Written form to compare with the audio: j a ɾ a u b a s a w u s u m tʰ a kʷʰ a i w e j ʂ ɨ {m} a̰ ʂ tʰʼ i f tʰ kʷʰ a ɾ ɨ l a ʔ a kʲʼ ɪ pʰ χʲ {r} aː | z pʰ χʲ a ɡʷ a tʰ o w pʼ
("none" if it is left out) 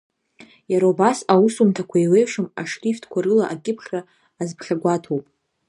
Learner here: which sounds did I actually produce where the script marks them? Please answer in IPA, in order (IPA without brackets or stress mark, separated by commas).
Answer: m, r